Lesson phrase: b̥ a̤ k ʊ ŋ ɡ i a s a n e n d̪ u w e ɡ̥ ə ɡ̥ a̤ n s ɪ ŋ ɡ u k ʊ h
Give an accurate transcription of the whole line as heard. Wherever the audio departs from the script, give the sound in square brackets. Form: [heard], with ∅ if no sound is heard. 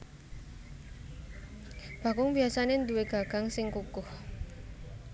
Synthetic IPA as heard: b̥ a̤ k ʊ ŋ [b] i a s a n e n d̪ u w e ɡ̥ [a] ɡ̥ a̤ [ŋ] s ɪ ŋ [k] u k ʊ h